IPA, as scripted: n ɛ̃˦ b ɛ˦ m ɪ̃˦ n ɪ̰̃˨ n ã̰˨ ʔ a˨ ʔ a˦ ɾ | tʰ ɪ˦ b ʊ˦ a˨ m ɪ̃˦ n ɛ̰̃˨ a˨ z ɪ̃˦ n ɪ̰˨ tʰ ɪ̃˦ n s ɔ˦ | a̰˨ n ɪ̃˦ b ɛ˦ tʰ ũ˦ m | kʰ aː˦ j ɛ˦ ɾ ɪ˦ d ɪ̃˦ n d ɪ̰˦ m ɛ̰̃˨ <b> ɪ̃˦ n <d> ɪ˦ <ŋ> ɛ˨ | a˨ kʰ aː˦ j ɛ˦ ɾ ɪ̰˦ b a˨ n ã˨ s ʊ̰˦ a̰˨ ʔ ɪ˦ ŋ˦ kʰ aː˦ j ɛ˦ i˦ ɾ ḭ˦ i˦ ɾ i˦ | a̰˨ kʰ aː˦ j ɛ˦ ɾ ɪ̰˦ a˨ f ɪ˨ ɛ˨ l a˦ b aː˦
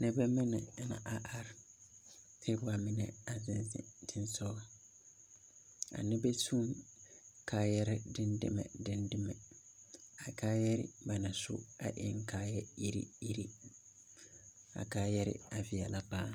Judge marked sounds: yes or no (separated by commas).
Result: no, yes, no